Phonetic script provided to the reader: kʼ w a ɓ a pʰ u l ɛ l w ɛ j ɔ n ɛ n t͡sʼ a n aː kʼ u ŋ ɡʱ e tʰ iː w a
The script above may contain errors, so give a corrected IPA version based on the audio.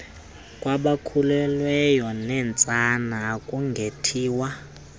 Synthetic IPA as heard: kʼ w a ɓ a kʰ u l ɛ l w ɛ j ɔ n ɛ n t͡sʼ a n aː kʼ u ŋ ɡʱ e tʰ iː w a